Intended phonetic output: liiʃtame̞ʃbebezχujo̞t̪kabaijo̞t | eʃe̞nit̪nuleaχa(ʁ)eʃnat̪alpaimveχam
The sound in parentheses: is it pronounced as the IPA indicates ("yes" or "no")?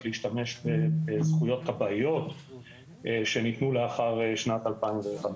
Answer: yes